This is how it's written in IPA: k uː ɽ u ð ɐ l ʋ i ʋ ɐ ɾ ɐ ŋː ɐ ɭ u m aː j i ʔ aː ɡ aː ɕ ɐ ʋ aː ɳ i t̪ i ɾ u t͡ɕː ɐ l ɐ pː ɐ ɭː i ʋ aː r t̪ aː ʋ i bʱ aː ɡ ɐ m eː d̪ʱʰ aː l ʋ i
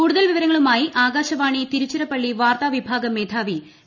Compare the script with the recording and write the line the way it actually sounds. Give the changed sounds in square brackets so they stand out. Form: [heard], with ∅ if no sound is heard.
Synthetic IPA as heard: k uː ɽ u ð ɐ l ʋ i ʋ ɐ ɾ ɐ ŋː ɐ ɭ u m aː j i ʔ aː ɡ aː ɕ ɐ ʋ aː ɳ i t̪ i ɾ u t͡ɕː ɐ [ɾ] ɐ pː ɐ ɭː i ʋ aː r t̪ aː ʋ i bʱ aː ɡ ɐ m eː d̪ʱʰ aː [∅] ʋ i